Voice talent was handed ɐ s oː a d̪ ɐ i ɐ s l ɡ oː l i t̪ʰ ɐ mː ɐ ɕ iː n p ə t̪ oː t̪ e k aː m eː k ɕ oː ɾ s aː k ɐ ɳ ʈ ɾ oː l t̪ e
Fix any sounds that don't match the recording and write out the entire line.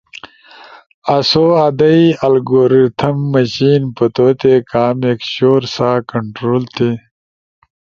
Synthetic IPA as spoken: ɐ s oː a d̪ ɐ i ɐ l ɡ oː ɾ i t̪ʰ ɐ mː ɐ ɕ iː n p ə t̪ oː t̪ e k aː m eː k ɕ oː ɾ s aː k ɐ ɳ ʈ ɾ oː l t̪ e